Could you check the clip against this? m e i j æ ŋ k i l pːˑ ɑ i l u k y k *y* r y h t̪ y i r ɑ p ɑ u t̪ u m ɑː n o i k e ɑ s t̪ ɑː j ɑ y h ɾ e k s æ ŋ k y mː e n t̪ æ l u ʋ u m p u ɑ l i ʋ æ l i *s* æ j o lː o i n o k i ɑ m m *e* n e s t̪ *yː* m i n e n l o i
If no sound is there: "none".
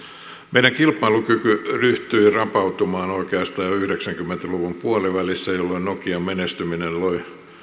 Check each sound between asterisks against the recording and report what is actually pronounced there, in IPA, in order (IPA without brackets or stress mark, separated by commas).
y, sː, e, y